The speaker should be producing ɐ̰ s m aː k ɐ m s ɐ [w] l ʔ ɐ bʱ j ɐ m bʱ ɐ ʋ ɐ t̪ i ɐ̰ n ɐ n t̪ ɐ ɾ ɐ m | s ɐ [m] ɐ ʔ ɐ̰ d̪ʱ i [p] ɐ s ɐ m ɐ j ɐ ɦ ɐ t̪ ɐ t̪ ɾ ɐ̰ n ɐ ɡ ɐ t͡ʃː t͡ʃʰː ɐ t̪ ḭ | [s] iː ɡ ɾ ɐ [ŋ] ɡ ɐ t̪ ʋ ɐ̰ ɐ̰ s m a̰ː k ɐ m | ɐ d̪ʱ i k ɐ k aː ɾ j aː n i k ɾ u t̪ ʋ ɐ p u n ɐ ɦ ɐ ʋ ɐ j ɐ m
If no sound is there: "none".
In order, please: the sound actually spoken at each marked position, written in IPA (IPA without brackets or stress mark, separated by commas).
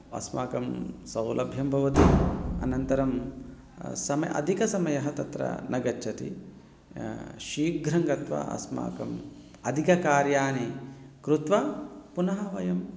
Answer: w, m, k, ʃ, ŋ